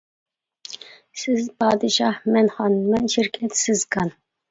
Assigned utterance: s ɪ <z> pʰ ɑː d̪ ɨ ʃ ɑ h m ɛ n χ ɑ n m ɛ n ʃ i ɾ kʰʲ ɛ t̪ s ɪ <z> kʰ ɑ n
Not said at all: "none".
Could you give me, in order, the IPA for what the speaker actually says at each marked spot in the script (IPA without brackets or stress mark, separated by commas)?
z, z